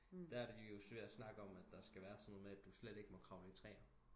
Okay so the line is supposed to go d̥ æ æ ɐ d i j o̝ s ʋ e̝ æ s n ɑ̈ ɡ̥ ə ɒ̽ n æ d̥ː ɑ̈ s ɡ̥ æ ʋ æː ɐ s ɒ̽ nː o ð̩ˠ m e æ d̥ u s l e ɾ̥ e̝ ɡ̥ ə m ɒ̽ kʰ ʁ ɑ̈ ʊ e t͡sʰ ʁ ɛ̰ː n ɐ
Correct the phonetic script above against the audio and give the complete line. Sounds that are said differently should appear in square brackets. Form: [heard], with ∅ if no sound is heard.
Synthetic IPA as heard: d̥ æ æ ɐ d i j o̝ s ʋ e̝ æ s n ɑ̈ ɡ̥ ə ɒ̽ [m] æ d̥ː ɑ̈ s ɡ̥ æ ʋ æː ɐ s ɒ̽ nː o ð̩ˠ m e æ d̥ u s l e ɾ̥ e̝ ɡ̥ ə m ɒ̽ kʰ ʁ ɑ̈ ʊ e t͡sʰ ʁ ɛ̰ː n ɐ